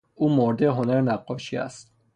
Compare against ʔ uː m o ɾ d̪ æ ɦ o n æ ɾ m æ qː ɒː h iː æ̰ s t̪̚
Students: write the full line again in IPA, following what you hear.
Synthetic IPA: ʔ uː m o ɾ d̪ e ɦ o n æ ɾ n æ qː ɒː ʃ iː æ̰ s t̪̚